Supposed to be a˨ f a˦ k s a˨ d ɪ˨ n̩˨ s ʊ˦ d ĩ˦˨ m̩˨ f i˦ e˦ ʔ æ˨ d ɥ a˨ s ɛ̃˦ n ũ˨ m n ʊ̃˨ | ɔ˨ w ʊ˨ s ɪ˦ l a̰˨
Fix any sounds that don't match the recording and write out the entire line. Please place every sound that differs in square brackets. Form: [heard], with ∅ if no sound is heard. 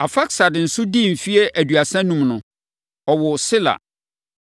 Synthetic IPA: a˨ f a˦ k s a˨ d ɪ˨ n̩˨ s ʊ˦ d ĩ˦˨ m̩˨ f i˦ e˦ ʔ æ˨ d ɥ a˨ s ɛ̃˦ n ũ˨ m n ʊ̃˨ | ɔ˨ w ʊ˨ s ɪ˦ l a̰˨